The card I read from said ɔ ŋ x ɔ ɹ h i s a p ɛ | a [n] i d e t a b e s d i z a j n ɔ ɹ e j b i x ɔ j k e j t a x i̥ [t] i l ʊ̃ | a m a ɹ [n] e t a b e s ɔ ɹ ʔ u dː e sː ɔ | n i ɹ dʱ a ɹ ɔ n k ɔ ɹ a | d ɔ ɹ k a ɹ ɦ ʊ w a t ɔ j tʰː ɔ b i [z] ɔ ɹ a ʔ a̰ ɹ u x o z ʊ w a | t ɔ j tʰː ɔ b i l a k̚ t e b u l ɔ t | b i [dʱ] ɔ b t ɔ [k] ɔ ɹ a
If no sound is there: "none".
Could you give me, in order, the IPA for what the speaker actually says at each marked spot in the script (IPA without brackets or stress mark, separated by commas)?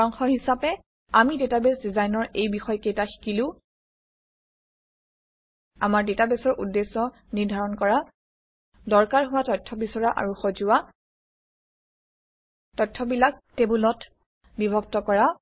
m, k, d, s, bʱ, k